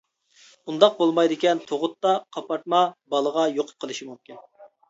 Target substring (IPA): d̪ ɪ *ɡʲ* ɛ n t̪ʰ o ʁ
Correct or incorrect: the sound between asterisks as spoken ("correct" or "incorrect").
incorrect